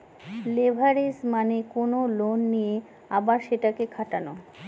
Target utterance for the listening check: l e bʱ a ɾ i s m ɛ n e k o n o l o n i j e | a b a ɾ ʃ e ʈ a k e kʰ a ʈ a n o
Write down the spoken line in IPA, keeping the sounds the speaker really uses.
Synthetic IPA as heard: l e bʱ a ɾ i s m a n e k o n o l o nː i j e | a b a ɾ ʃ e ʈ a k e kʰ a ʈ a n o